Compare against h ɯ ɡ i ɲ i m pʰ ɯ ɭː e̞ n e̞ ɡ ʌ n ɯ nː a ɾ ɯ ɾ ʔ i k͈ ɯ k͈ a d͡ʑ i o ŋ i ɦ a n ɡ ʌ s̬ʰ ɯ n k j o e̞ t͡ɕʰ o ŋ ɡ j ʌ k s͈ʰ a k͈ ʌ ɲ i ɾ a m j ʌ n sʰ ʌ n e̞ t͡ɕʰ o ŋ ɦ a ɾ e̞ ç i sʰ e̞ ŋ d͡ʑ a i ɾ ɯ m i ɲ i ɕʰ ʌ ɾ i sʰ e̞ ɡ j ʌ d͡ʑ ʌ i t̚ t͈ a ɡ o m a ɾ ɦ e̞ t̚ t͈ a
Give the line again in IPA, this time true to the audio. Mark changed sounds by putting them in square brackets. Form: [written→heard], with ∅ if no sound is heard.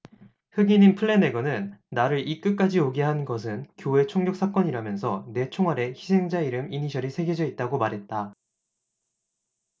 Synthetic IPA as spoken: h ɯ ɡ i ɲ i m pʰ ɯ ɭː e̞ n e̞ ɡ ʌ n ɯ nː a ɾ ɯ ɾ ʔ i k͈ ɯ k͈ a d͡ʑ i o [ŋ→ɡ] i ɦ a n ɡ ʌ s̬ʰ ɯ n k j o e̞ t͡ɕʰ o ŋ ɡ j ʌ k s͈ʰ a k͈ ʌ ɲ i ɾ a m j ʌ n sʰ ʌ n e̞ t͡ɕʰ o ŋ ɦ a ɾ e̞ ç i sʰ e̞ ŋ d͡ʑ a i ɾ ɯ m i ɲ i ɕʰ ʌ ɾ i sʰ e̞ ɡ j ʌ d͡ʑ ʌ i t̚ t͈ a ɡ o m a ɾ ɦ e̞ t̚ t͈ a